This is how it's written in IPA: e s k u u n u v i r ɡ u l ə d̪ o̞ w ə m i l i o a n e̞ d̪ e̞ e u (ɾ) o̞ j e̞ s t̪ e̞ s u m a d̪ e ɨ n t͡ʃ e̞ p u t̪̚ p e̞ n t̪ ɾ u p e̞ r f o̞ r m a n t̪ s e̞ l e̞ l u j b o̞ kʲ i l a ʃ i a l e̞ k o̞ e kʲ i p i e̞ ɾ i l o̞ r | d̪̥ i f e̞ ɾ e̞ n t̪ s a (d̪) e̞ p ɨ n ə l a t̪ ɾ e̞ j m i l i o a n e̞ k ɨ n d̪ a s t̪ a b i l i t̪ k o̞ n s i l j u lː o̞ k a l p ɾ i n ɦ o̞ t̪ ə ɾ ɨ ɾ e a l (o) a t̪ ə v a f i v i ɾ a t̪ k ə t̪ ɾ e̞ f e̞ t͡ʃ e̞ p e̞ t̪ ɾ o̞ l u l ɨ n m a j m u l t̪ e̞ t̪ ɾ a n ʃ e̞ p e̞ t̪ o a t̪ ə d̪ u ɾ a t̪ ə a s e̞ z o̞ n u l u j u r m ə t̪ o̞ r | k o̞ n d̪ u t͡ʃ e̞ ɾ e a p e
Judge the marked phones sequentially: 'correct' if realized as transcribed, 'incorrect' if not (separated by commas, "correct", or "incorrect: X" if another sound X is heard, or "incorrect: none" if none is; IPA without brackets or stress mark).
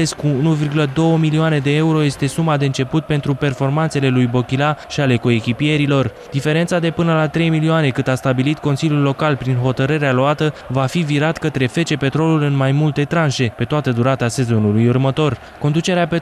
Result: correct, correct, correct